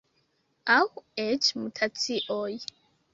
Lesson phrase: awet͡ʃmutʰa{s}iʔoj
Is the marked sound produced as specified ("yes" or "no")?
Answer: no